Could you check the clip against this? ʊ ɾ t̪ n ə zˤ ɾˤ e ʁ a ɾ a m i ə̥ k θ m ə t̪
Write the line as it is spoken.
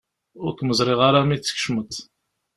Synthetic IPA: ʊ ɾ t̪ m ə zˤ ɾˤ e ʁ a ɾ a m i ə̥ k ʃ m ə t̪

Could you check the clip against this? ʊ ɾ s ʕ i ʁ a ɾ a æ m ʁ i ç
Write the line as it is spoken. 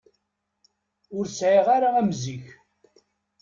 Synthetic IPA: ʊ ɾ s ʕ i ʁ a ɾ a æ m z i ç

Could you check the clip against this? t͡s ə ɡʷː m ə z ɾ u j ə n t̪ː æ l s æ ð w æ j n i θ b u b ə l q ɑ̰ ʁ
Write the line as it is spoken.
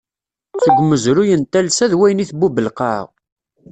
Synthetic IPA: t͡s ə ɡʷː m ə z ɾ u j ə n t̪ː æ l s æ ð w æ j n i θ b u b ə l q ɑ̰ ʁ

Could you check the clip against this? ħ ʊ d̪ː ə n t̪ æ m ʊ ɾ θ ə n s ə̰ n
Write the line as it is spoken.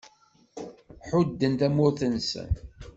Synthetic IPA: ħ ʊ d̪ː ə n t̪ æ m ʊ ɾ θ ə n s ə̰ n

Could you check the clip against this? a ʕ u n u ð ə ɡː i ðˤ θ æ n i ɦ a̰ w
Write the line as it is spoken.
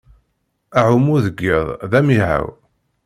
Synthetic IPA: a ʕ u m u ð ə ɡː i ðˤ ð æ m i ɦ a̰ w

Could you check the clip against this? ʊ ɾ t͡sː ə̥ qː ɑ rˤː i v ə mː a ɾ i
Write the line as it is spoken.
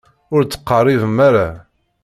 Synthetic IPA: ʊ ɾ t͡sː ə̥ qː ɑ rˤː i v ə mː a ɾ a

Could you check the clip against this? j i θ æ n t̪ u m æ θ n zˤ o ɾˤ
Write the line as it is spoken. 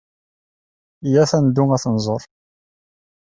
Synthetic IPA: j æ θ æ n d̪ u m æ θ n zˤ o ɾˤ

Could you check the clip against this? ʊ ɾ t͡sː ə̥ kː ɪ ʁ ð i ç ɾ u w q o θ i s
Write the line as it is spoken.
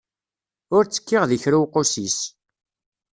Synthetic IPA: ʊ ɾ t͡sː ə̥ kː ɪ ʁ ð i ç ɾ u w q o s i s

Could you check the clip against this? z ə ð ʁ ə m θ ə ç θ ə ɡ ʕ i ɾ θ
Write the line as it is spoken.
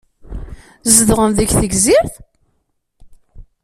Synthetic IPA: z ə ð ʁ ə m ð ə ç θ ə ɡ z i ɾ θ

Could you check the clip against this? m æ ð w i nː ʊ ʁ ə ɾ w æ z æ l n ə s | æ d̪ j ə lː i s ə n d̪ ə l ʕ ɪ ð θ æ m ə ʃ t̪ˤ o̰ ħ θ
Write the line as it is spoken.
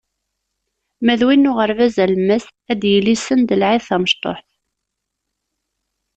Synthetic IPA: m æ ð w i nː ʊ ʁ ə ɾ v æ z æ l m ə s | æ d̪ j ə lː i s ə n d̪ ə l ʕ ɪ ð θ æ m ə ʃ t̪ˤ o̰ ħ θ

